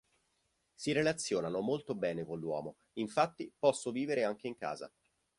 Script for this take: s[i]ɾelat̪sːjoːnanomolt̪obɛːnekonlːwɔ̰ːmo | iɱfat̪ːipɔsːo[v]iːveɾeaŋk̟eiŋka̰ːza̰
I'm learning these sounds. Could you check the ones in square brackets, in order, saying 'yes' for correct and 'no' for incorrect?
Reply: yes, yes

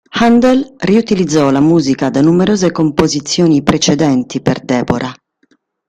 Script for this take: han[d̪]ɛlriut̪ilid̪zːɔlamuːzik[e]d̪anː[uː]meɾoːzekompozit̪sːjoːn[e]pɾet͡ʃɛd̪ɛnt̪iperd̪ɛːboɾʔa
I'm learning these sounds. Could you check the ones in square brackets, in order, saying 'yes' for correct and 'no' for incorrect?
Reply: yes, no, no, no

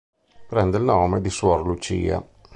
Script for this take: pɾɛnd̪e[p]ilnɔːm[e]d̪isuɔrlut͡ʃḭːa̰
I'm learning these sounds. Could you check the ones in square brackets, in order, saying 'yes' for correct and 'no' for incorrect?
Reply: no, yes

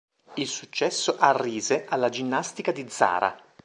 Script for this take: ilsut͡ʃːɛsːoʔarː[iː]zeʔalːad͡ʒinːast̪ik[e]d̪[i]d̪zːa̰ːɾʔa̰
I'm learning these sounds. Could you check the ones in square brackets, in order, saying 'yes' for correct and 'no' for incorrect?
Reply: yes, no, yes

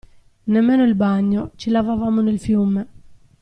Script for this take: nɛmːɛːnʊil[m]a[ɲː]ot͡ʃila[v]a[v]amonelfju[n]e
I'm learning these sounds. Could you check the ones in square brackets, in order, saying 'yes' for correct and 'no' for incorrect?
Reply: no, yes, yes, yes, no

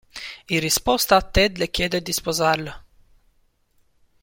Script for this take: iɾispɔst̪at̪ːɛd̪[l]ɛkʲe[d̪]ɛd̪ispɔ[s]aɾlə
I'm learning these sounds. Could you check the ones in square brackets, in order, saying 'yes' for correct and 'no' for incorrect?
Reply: yes, yes, no

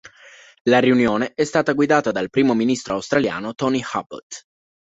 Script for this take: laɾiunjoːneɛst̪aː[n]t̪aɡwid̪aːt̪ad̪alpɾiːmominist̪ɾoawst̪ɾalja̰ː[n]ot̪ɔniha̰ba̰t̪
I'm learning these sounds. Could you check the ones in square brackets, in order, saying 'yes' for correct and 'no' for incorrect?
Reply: no, yes

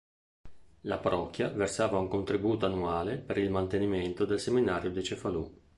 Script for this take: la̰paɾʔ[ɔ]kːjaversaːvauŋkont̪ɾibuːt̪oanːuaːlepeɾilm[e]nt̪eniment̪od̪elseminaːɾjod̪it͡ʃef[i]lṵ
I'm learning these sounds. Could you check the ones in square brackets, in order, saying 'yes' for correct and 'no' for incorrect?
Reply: yes, no, no

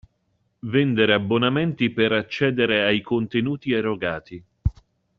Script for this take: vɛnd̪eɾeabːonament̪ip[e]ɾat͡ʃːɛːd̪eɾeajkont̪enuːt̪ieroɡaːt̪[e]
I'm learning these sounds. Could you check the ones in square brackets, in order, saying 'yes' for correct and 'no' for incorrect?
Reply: yes, no

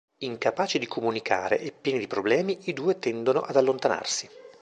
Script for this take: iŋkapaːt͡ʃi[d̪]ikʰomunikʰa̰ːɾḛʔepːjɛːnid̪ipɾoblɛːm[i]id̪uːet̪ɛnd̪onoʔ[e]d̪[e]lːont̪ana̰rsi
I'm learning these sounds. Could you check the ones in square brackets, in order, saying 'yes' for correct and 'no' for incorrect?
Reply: yes, yes, no, no

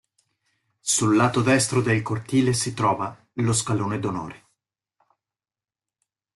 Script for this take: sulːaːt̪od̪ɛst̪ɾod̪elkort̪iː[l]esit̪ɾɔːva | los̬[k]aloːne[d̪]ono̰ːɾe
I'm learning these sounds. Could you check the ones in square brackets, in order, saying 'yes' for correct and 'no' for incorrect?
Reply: yes, yes, yes

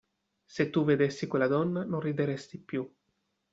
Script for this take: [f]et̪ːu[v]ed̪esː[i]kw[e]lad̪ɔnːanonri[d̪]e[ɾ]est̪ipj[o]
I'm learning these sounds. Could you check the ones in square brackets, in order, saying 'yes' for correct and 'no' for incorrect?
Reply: no, yes, yes, yes, yes, yes, no

